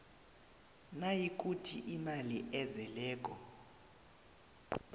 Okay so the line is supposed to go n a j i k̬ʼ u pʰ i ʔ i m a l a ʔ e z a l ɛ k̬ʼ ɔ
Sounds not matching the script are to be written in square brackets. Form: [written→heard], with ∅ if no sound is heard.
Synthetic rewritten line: n a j i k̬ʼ u [pʰ→tʰ] i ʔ i m a l [a→i] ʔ [e→ɛ] z [a→ɛ] l [ɛ→ɛː] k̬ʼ ɔ